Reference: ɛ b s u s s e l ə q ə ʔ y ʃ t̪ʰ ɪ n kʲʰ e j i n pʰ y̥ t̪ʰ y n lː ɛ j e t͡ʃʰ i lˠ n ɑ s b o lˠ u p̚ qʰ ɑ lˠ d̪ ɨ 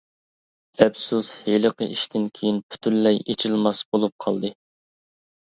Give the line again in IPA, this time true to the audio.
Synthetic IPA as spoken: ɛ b s u s h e l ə q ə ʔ i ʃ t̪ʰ ɪ n kʲʰ e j i n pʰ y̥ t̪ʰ y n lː ɛ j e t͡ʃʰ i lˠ m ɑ s b o lˠ u p̚ qʰ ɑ lˠ d̪ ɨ